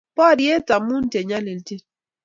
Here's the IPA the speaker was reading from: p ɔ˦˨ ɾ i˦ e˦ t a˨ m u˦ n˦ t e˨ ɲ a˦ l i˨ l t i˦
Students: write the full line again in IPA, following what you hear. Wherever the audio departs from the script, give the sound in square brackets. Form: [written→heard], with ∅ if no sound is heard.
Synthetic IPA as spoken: p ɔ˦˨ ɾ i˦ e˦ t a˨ m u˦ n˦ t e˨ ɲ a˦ l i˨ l t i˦